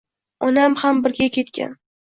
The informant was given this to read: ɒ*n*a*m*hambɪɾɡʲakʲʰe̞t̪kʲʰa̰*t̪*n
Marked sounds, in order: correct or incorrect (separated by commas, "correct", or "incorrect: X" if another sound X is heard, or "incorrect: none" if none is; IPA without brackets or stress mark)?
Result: correct, correct, incorrect: none